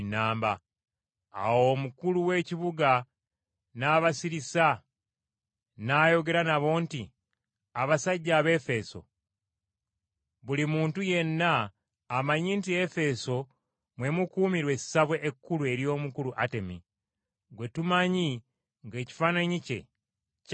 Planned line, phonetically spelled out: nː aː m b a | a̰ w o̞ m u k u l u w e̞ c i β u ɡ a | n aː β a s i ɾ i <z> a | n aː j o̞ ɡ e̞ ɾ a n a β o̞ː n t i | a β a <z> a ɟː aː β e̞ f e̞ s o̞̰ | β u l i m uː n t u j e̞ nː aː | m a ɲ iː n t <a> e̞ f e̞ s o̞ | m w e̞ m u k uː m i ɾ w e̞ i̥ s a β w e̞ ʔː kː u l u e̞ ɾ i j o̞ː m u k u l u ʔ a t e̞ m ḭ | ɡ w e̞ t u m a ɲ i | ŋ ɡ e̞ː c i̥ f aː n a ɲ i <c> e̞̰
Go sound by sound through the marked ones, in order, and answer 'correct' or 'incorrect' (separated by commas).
incorrect, incorrect, incorrect, correct